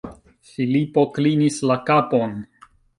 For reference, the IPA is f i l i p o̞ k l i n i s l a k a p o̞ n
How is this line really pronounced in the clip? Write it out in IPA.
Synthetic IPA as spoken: f i l i p o̞ k l i n i s l a k a p o̞ n